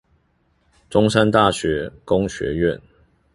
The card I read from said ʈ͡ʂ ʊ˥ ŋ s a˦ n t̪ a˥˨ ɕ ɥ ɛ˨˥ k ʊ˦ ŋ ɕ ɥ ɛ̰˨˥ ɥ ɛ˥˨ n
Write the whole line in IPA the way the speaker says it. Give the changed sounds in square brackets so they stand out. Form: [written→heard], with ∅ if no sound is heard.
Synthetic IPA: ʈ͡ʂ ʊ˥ ŋ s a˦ n t̪ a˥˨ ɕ ɥ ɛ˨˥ k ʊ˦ ŋ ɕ ɥ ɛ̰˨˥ ɥ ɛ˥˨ n